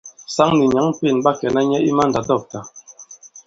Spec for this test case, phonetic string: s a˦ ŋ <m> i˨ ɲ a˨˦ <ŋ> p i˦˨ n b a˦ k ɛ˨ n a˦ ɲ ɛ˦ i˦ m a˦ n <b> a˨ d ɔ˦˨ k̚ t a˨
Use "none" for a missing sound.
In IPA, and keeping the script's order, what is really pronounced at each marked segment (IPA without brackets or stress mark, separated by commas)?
n, ŋ, d